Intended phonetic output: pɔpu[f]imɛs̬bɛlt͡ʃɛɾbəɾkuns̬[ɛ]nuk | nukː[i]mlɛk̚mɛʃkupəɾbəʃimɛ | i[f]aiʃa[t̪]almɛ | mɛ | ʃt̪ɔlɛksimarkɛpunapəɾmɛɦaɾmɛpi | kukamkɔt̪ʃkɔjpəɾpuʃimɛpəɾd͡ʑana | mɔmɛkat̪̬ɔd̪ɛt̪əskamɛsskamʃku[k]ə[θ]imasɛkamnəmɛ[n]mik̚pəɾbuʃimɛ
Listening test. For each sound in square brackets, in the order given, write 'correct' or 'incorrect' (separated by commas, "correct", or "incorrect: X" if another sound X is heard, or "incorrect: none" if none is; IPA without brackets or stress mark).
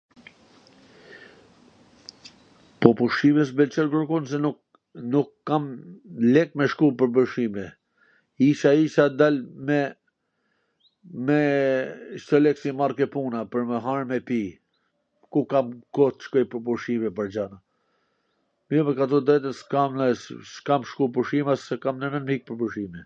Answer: incorrect: ʃ, correct, incorrect: a, incorrect: ʃ, incorrect: d̪, incorrect: p, incorrect: ʃ, correct